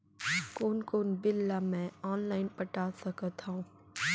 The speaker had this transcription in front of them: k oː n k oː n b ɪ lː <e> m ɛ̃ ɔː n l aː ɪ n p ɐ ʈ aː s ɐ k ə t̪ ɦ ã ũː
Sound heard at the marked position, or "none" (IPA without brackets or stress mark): a